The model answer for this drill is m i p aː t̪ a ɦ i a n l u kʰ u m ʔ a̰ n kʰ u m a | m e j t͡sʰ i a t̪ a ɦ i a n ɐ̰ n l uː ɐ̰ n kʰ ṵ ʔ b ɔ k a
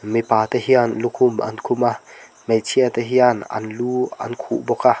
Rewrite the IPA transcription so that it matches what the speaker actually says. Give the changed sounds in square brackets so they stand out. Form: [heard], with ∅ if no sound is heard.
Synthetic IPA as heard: m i p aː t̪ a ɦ i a n l u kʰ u m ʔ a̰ n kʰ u m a | m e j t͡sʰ i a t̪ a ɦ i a n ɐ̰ n l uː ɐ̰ n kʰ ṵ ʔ b ɔ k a